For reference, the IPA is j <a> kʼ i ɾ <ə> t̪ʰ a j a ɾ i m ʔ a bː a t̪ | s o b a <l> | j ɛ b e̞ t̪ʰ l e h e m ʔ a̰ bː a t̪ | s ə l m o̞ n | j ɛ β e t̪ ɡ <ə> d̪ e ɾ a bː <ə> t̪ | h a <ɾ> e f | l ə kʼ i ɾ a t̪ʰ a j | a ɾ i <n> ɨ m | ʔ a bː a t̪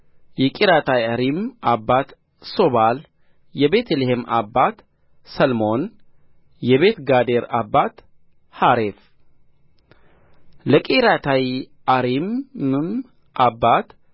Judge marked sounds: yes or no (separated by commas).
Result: no, no, yes, no, no, yes, no